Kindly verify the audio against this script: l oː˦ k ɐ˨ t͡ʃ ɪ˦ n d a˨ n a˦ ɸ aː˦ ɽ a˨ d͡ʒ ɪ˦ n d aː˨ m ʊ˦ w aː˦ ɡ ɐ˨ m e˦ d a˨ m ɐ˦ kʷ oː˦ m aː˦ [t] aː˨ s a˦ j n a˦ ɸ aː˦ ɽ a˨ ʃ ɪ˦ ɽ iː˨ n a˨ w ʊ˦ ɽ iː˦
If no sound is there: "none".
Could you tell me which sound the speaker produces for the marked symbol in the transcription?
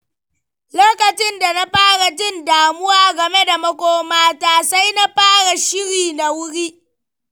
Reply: t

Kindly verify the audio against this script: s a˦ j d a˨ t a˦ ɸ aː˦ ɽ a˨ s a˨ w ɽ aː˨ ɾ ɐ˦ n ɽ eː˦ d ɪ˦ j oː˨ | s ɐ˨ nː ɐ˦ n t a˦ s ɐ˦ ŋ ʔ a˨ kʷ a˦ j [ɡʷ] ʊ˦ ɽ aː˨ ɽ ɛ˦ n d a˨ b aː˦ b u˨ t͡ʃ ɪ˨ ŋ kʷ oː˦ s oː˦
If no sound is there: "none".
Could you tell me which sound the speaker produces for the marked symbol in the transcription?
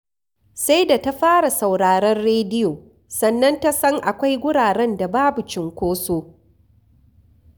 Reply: ɡʷ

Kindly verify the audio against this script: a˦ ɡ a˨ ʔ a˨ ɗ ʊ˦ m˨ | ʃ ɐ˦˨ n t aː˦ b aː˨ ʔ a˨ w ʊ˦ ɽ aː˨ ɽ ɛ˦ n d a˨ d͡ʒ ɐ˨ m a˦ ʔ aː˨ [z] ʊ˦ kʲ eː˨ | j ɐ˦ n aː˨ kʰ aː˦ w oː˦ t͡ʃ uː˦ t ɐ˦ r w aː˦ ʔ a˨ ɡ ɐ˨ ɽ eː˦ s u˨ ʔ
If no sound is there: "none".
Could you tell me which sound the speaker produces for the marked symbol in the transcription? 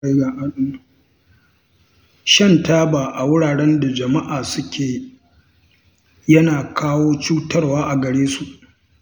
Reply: s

